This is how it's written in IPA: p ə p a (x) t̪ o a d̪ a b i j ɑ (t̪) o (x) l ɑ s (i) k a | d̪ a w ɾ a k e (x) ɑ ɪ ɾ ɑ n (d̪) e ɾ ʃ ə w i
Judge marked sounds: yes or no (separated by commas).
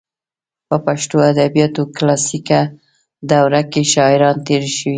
no, yes, no, yes, no, no